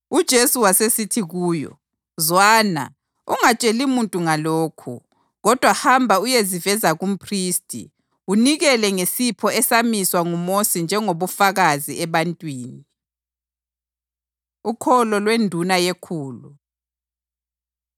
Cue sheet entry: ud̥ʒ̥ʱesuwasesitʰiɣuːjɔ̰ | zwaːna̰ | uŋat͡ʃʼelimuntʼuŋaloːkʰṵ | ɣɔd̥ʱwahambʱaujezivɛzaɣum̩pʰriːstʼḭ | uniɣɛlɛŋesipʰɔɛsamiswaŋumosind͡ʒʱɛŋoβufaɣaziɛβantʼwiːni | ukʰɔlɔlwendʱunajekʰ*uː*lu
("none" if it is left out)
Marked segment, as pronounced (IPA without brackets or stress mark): uː